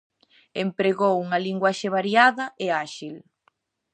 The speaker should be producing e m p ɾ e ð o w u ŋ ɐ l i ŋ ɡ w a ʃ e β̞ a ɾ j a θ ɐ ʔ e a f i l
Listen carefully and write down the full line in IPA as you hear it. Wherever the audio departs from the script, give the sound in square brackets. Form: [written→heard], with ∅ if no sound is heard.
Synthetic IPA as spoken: e m p ɾ e [ð→ɣ] o w u ŋ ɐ l i ŋ ɡ w a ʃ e β̞ a ɾ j a [θ→ð] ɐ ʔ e a [f→ʃ] i l